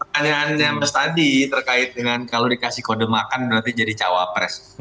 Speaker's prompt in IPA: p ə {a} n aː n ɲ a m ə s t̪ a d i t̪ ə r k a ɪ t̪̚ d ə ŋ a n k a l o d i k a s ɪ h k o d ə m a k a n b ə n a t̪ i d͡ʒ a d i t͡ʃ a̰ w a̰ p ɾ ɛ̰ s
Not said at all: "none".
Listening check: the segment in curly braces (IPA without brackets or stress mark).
a